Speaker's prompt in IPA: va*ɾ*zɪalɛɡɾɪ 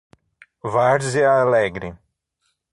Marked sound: correct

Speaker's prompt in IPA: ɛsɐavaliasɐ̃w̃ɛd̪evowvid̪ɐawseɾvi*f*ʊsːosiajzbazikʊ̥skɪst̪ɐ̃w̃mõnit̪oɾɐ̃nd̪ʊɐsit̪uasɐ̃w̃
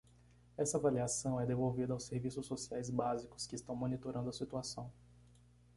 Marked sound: incorrect: s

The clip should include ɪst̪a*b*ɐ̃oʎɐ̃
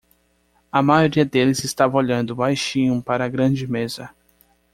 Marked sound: incorrect: v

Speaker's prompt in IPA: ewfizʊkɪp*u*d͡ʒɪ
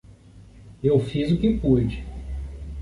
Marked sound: correct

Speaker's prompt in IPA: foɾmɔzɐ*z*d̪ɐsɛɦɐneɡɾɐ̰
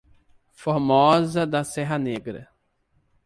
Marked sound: incorrect: none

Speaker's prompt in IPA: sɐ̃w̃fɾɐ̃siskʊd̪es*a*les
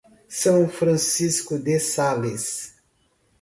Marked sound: correct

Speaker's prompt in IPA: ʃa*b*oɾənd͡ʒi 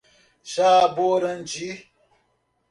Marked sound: correct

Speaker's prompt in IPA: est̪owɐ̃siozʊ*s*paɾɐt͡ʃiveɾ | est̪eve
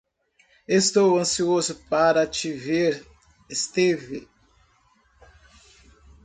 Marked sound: incorrect: none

